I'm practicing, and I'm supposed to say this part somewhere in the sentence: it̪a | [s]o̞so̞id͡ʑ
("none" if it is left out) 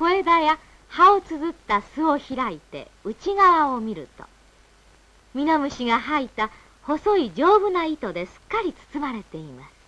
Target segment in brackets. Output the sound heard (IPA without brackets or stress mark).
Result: h